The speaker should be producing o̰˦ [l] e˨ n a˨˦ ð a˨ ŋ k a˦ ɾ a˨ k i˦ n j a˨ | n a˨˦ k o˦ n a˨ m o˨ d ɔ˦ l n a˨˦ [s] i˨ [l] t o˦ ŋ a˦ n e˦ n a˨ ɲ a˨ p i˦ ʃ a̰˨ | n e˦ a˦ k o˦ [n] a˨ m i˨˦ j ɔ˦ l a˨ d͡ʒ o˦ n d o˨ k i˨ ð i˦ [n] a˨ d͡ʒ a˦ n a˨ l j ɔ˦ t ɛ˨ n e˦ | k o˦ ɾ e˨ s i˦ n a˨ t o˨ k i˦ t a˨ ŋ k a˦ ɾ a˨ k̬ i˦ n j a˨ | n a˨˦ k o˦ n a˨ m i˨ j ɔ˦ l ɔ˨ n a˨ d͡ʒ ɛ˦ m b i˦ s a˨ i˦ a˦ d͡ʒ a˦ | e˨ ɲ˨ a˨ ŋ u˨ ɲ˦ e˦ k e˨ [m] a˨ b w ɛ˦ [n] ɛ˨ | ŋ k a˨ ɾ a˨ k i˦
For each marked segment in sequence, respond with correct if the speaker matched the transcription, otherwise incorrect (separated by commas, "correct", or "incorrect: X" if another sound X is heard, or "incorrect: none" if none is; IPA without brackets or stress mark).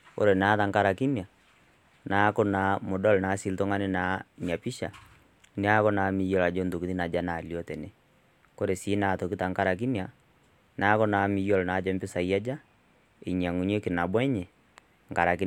incorrect: ɾ, correct, correct, correct, correct, incorrect: n, incorrect: ɲ